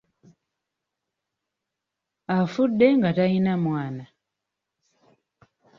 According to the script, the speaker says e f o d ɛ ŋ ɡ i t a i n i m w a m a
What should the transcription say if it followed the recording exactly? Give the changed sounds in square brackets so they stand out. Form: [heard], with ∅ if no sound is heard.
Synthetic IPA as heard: [a] f [u] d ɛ ŋ ɡ [a] t a i n [a] m w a [n] a